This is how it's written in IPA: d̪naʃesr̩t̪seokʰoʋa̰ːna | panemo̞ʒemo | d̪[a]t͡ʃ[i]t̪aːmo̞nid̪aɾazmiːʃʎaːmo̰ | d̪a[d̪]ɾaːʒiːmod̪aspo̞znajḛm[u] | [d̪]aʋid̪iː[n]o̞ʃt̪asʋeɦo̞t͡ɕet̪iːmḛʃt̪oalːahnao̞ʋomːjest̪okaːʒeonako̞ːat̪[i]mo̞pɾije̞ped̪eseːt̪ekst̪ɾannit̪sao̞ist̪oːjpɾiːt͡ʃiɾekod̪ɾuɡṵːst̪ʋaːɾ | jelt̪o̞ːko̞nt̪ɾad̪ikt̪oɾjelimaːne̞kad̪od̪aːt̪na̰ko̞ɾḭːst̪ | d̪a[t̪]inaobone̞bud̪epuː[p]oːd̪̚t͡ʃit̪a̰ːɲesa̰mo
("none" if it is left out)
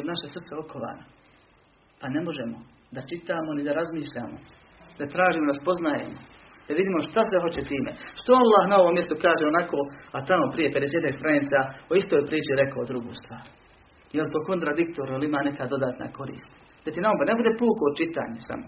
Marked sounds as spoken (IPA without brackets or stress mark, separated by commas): a, i, t̪, o, d̪, m, a, t̪, k